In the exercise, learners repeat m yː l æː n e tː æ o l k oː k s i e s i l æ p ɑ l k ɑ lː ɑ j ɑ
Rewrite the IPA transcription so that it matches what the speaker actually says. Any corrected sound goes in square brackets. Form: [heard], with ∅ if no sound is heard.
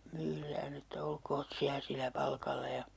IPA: m yː [r] æː n e tː æ o l k oː [t] s i [æ] s i l æ p ɑ l k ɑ lː ɑ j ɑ